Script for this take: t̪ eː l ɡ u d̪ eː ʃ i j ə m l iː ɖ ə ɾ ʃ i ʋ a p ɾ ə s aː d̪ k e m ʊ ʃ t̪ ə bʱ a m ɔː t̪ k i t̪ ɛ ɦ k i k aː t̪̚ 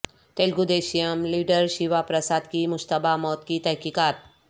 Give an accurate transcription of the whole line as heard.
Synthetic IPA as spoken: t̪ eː l ɡ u d̪ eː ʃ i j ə m l iː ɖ ə ɾ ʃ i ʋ a p ɾ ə s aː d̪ k i m ʊ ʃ t̪ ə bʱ a m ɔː t̪ k i t̪ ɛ ɦ k i k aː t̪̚